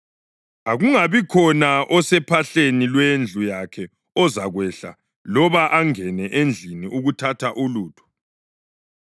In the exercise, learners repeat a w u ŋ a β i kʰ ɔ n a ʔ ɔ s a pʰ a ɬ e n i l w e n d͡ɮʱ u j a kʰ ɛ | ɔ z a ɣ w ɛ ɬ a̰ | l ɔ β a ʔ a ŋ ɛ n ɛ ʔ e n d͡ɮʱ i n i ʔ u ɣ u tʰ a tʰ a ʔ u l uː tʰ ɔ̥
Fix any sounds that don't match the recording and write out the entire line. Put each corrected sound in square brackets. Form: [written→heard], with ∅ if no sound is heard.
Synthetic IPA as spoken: a [w→ɣ] u ŋ a β i kʰ ɔ n a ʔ ɔ s [a→ɛ] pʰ a ɬ e n i l w e n d͡ɮʱ u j a kʰ ɛ | ɔ z a ɣ w ɛ ɬ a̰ | l ɔ β a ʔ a ŋ ɛ n ɛ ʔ e n d͡ɮʱ i n i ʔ u ɣ u tʰ a tʰ a ʔ u l uː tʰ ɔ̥